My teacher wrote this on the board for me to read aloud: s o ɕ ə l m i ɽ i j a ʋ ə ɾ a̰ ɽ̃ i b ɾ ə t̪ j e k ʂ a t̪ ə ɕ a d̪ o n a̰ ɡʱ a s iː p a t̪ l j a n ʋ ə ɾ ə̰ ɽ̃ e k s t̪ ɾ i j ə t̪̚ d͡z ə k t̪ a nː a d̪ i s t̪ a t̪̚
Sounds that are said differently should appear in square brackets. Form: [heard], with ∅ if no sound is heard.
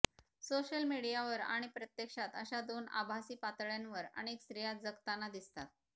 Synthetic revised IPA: s o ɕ ə l m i ɽ i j a ʋ ə ɾ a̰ ɽ̃ i [p] ɾ ə t̪ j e k ʂ a t̪ ə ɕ a d̪ o n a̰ [bʱ] a s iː p a t̪ [ɭ] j a n ʋ ə ɾ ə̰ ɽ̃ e k s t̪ ɾ i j [a] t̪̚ d͡z ə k t̪ a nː a d̪ i s t̪ a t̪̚